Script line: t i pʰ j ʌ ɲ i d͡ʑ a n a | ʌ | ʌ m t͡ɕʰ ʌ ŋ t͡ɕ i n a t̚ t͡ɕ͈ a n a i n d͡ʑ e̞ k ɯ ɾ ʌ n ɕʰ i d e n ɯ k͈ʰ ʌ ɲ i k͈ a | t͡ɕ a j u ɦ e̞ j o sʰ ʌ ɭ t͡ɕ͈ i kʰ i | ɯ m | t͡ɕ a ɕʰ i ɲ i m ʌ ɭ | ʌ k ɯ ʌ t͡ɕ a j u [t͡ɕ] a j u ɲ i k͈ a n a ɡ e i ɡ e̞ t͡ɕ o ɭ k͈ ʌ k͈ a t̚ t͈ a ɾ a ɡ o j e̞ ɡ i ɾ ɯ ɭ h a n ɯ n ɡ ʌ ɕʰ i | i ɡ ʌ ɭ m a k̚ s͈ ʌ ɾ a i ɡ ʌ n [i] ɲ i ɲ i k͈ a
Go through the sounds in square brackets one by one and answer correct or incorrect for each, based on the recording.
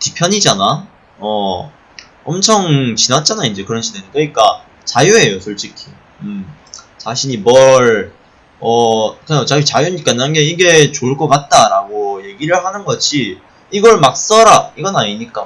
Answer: correct, incorrect: a

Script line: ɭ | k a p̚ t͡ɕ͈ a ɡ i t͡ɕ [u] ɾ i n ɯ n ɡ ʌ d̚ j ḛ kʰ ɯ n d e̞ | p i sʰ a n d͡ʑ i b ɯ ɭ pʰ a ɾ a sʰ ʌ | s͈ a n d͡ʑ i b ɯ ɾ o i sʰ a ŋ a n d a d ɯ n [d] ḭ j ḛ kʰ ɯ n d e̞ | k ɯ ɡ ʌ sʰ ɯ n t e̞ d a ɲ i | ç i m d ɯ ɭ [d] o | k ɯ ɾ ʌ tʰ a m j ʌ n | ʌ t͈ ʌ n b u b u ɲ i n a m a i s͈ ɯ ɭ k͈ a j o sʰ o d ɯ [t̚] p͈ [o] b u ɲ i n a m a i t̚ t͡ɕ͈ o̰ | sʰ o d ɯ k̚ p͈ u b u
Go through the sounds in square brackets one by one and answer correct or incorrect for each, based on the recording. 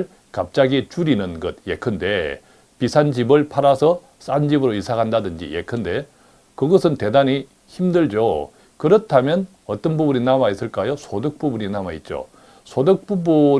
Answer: correct, incorrect: d͡ʑ, incorrect: d͡ʑ, incorrect: k̚, incorrect: u

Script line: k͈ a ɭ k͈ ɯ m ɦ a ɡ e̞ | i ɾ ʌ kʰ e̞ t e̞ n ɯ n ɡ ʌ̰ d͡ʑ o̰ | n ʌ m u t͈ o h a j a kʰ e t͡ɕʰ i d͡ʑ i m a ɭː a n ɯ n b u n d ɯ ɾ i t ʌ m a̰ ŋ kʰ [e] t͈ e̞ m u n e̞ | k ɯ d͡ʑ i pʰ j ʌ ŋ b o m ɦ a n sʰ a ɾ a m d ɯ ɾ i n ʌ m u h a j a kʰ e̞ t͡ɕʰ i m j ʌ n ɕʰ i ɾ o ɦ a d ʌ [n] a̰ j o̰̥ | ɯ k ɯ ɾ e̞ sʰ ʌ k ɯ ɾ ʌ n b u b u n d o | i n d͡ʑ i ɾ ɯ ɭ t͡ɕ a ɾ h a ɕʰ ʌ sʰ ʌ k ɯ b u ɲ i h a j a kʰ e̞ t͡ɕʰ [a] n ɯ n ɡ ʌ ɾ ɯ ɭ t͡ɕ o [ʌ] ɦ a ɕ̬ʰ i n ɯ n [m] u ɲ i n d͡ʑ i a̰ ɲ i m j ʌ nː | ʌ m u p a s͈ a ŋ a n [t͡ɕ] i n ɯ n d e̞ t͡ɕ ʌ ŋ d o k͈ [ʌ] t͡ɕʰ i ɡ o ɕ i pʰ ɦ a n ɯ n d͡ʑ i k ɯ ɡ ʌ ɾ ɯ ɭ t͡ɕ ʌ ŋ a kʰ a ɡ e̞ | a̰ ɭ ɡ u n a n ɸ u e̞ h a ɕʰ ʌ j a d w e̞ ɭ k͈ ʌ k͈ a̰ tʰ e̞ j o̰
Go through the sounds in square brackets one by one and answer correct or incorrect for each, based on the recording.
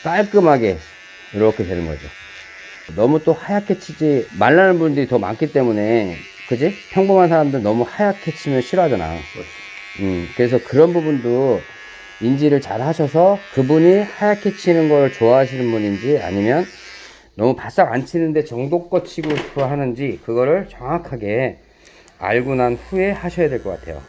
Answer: incorrect: i, correct, incorrect: i, incorrect: a, incorrect: b, incorrect: t͡ɕʰ, correct

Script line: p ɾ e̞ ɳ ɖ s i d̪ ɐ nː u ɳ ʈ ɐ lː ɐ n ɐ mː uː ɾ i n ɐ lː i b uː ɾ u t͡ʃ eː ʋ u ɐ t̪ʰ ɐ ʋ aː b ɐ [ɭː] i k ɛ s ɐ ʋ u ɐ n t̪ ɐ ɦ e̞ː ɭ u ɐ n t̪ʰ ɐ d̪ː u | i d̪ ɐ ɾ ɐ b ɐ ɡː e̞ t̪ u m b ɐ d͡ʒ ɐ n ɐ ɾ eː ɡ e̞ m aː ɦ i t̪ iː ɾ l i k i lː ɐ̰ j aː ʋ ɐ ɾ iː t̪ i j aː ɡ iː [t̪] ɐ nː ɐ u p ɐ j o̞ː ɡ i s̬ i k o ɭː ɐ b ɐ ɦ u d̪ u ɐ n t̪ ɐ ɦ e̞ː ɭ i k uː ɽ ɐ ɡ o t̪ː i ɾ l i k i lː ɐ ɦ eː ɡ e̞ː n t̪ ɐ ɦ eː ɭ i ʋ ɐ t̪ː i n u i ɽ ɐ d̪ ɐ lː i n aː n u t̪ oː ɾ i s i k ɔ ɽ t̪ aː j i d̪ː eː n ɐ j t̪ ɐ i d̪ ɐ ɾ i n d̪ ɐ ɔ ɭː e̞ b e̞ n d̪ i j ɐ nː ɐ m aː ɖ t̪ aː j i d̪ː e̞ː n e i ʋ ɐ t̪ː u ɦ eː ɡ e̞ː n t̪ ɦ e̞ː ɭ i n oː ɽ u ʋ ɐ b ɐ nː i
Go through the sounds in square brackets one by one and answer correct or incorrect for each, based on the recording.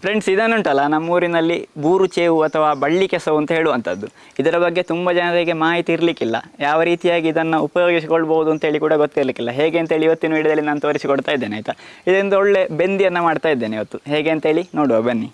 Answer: correct, incorrect: d̪

